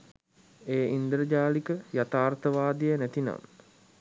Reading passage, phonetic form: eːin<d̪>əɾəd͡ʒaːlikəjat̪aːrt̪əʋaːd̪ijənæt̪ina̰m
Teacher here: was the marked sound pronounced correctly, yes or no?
yes